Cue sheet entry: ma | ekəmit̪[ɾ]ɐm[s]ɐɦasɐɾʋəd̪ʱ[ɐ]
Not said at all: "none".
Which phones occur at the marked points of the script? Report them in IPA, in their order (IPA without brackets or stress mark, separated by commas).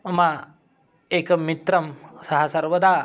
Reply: ɾ, s, a